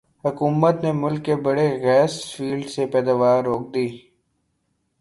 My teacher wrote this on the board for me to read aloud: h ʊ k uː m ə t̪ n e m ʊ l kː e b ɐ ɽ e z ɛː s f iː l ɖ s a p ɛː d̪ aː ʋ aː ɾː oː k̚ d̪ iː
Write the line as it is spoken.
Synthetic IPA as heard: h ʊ k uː m ə t̪ n e m ʊ l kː e b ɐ ɽ e ɣ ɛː s f iː l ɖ s e p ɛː d̪ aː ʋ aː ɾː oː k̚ d̪ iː